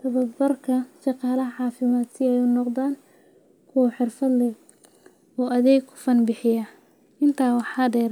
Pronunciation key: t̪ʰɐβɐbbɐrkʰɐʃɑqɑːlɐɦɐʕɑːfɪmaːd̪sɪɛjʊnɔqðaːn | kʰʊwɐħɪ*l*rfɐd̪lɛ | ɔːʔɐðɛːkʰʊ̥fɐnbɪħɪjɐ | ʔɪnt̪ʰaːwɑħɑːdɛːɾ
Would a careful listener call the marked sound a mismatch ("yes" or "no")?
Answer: yes